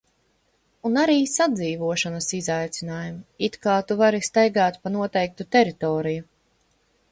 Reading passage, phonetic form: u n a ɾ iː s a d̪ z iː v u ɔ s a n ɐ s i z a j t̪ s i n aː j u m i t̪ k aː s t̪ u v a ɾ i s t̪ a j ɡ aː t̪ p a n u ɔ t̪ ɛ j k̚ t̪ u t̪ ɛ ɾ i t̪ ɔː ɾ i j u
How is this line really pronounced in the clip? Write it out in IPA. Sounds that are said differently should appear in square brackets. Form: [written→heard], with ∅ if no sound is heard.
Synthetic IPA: u n a ɾ iː s a d̪ z iː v u ɔ [s→ʃ] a n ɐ s i z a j t̪ s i n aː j u m i t̪ k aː [s→∅] t̪ u v a ɾ i s t̪ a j ɡ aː t̪ p a n u ɔ t̪ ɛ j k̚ t̪ u t̪ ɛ ɾ i t̪ ɔː ɾ i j u

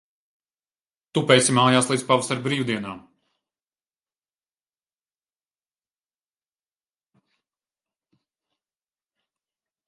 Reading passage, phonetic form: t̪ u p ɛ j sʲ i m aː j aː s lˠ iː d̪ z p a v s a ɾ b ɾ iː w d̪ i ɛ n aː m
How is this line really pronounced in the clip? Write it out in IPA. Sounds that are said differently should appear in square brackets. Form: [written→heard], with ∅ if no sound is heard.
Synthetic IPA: t̪ u p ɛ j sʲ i m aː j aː s lˠ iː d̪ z p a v s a ɾ b ɾ iː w d̪ i ɛ n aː m

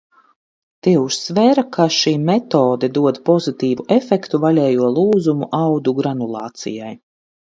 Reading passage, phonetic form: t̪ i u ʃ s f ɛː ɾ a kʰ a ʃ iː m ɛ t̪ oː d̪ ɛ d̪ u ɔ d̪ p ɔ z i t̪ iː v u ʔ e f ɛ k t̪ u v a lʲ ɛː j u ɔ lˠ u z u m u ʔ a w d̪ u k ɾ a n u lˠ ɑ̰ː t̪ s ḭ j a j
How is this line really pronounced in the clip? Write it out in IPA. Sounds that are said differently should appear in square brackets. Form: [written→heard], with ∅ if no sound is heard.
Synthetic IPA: t̪ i u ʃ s [f→v] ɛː ɾ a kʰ a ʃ iː m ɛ t̪ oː d̪ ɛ d̪ u ɔ d̪ p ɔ z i t̪ iː v u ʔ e f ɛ k t̪ u v a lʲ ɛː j u ɔ lˠ [u→uː] z u m u ʔ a w d̪ u [k→ɡ] ɾ a n u lˠ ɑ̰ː t̪ s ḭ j a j

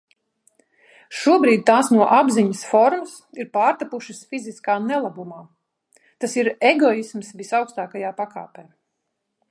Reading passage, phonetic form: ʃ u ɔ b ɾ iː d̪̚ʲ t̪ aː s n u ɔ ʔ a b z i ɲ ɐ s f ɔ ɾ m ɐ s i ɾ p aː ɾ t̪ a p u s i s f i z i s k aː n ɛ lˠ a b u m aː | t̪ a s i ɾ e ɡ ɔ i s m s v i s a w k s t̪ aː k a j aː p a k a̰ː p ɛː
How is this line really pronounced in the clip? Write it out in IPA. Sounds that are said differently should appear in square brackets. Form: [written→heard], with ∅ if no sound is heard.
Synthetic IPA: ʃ u ɔ b ɾ iː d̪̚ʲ t̪ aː s n u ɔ ʔ a b z i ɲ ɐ s f ɔ ɾ m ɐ s i ɾ p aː ɾ t̪ a p u [s→ʃ] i s f i z i s k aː n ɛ lˠ a b u m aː | t̪ a s i ɾ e ɡ ɔ i s m s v i s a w k s t̪ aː k a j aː p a k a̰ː p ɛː

